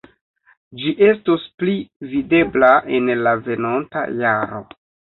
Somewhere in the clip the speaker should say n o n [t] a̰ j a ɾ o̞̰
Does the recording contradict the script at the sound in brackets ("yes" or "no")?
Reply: no